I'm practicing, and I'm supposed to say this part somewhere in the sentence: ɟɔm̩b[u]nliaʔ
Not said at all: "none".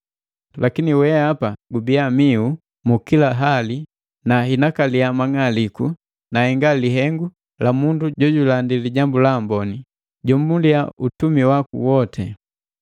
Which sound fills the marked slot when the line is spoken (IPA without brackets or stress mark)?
u